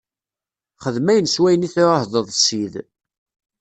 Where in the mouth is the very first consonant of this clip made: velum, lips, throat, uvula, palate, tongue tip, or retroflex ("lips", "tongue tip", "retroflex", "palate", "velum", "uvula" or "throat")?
uvula